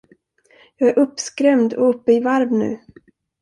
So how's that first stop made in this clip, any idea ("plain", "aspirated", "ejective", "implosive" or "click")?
plain